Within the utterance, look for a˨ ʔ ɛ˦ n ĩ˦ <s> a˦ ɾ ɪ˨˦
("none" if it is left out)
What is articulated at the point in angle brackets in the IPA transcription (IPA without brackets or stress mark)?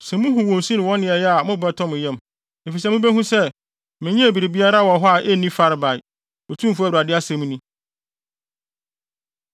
f